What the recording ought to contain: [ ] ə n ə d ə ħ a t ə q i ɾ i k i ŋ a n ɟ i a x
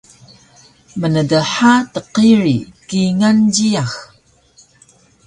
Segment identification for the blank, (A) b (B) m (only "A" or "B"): B